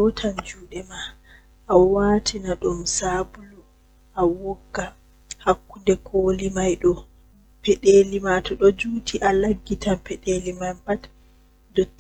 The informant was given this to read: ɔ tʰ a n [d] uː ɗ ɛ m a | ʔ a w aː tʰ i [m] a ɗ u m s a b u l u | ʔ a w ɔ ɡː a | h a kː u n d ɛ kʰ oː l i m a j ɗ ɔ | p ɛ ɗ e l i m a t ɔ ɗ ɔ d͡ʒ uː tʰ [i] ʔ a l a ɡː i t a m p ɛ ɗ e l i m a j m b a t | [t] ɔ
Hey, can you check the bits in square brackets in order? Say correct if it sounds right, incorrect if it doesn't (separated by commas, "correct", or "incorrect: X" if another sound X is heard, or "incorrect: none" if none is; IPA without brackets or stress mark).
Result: incorrect: d͡ʒ, incorrect: n, correct, incorrect: d